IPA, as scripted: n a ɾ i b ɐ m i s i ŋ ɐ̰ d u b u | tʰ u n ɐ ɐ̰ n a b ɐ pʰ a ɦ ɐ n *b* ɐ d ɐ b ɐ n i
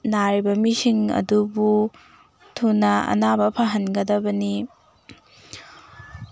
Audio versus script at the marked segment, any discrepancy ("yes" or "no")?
yes